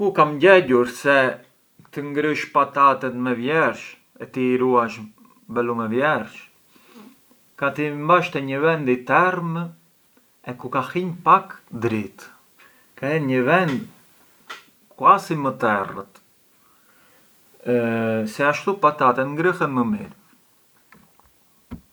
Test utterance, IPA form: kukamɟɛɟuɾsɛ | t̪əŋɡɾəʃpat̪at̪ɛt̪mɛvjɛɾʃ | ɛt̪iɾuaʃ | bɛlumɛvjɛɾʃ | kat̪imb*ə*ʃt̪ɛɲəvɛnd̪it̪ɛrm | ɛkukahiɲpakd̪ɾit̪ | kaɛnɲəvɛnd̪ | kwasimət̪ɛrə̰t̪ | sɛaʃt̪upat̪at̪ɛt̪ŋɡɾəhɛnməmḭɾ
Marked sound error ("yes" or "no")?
yes